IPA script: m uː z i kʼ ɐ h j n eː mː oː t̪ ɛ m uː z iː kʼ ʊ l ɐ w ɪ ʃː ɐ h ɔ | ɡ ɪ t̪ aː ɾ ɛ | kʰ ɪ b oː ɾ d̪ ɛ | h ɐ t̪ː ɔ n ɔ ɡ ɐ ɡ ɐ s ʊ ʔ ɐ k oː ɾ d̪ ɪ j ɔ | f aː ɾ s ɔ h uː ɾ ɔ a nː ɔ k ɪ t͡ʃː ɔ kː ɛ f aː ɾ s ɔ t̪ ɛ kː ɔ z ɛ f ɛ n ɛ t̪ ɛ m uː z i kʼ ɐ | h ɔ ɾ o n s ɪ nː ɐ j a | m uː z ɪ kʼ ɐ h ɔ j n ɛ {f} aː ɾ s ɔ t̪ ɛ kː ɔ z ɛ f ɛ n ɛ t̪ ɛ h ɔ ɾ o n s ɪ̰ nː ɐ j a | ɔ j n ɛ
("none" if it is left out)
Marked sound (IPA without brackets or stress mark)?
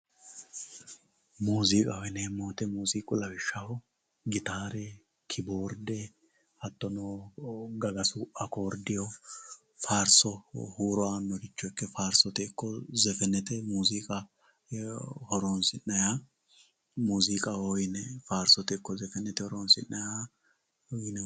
f